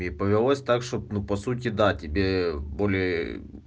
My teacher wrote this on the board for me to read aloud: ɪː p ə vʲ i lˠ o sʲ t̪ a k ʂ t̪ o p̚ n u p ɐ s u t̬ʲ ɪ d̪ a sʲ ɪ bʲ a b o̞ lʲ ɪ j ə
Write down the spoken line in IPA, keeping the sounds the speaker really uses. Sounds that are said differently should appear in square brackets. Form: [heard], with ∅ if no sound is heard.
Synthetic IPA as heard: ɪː p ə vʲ [ɪ] lˠ o sʲ t̪ a k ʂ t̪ o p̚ n u p ɐ s u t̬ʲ ɪ d̪ a [tʲ] ɪ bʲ [e] b o̞ lʲ ɪ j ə